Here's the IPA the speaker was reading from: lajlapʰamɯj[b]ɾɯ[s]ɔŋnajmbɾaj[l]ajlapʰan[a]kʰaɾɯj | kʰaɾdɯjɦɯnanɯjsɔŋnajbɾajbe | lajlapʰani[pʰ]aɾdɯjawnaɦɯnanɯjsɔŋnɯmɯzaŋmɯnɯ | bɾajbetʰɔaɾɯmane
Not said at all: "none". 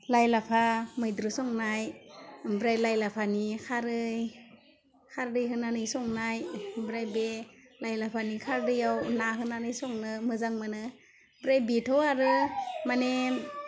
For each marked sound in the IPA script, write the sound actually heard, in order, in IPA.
d, s, l, i, kʰ

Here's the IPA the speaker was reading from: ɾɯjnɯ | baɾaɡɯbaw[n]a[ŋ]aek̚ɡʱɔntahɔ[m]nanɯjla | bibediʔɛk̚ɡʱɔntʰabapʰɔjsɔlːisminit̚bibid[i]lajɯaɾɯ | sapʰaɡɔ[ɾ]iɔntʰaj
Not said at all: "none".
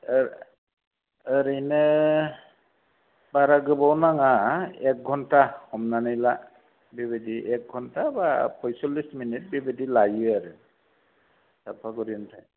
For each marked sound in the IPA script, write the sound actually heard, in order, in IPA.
n, ŋ, m, i, ɾ

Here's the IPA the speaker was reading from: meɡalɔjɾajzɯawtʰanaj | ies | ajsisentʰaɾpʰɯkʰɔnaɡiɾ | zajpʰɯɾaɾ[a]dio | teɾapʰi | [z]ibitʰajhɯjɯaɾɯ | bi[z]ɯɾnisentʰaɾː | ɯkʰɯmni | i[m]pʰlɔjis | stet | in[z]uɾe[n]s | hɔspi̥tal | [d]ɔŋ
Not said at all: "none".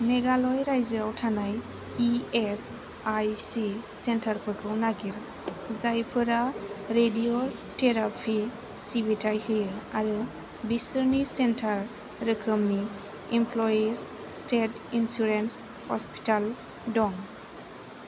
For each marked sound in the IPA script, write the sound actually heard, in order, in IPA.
e, s, s, m, s, n, d

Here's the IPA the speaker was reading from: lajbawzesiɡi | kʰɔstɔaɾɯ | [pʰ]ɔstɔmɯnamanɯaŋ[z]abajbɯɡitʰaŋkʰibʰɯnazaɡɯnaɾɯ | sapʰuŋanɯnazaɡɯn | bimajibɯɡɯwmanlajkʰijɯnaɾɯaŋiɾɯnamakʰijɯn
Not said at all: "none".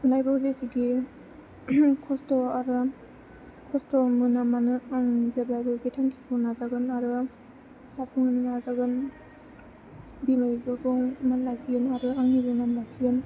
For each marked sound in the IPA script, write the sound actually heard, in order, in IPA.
kʰ, z

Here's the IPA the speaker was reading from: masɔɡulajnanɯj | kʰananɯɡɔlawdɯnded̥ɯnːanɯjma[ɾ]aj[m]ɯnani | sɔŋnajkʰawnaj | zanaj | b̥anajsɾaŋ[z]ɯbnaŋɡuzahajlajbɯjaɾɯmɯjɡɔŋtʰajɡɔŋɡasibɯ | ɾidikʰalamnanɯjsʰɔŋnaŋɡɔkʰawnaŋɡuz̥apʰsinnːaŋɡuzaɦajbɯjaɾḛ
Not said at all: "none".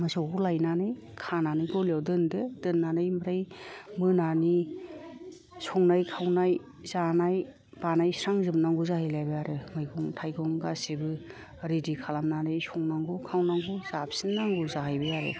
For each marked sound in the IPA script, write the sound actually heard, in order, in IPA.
ɾ, m, z

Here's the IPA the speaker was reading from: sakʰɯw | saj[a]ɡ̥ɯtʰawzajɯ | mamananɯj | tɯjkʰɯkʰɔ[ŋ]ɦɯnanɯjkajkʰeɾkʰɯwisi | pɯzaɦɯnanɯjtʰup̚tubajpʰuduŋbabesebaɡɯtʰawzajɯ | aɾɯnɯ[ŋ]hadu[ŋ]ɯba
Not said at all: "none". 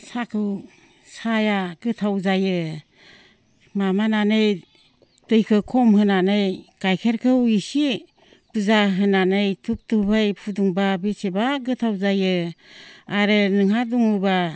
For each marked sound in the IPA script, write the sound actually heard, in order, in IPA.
a, m, ŋ, ŋ

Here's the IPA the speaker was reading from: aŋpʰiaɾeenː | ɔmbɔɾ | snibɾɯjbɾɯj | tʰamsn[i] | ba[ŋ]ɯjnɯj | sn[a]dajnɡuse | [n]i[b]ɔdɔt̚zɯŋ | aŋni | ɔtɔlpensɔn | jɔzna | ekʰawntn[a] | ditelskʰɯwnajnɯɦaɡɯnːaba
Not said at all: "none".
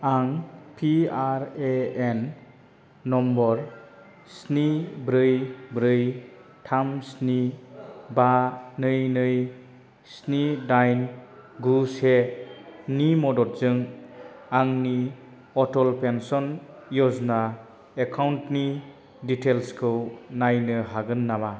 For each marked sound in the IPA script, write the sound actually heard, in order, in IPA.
i, n, i, n, m, i

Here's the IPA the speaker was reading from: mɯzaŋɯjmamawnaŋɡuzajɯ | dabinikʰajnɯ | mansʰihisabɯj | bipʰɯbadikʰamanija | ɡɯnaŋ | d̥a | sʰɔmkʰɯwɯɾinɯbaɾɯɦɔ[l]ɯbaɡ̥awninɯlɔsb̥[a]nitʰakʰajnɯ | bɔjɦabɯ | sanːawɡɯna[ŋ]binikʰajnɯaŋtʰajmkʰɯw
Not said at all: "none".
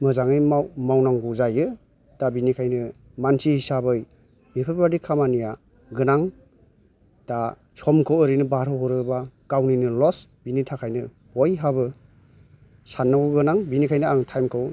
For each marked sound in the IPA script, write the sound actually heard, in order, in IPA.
ɾ, i, ŋ

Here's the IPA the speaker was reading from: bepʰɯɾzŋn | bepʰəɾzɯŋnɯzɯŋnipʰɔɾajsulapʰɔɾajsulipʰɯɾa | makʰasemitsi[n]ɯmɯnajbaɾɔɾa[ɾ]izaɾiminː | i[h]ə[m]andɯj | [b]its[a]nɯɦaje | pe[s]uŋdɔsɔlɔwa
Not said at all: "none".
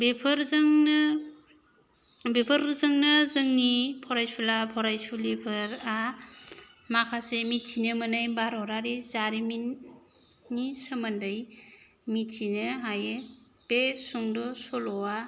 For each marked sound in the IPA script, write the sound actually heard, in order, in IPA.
n, ɾ, s, m, m, i, s

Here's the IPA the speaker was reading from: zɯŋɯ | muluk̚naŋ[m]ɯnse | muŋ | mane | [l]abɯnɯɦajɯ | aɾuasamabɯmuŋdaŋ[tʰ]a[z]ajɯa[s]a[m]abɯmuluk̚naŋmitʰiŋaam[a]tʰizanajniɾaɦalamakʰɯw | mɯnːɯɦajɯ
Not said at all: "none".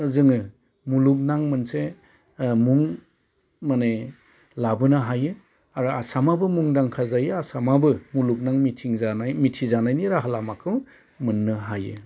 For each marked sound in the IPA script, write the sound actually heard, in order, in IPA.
m, l, kʰ, z, s, m, i

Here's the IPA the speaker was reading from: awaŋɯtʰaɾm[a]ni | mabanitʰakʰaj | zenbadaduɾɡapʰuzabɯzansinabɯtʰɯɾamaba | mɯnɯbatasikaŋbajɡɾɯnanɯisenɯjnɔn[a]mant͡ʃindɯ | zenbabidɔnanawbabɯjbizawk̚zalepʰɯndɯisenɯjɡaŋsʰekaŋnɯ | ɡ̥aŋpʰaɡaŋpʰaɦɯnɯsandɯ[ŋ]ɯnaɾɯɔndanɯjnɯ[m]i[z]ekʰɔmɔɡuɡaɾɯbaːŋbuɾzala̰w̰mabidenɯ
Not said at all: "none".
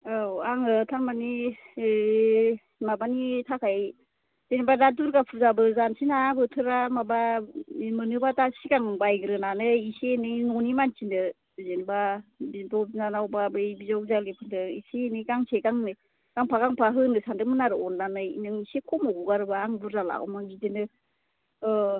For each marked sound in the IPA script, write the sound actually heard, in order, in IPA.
a, i, m, ŋ, s

